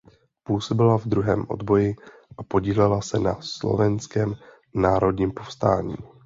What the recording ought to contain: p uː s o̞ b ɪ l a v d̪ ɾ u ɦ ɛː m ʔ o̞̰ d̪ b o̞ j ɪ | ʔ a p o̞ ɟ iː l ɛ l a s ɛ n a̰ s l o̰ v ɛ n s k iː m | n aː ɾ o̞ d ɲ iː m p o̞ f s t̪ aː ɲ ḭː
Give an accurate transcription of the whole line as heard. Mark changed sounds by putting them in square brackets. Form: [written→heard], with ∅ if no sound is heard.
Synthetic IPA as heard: p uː s o̞ b ɪ l a v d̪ ɾ u ɦ ɛː m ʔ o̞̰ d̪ b o̞ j ɪ | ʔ a p o̞ ɟ iː l ɛ l a s ɛ n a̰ s l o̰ v ɛ n s k [iː→ɛː] m | n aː ɾ o̞ d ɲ iː m p o̞ f s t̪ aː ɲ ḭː